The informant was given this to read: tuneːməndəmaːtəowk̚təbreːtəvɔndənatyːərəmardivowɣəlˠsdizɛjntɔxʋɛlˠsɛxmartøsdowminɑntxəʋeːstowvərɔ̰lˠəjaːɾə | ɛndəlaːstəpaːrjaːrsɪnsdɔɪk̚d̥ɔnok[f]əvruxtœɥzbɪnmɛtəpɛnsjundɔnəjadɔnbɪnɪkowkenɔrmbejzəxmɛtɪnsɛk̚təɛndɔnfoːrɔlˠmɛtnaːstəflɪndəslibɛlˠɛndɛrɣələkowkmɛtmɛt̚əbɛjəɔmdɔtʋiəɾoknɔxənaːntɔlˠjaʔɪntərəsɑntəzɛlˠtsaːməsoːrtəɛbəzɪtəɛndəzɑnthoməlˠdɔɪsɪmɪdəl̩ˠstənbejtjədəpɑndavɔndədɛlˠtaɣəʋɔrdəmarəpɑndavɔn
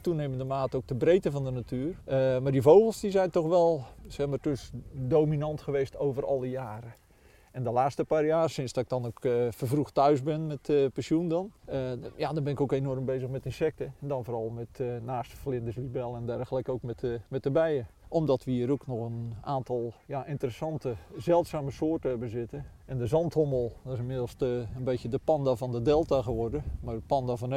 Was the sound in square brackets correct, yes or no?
yes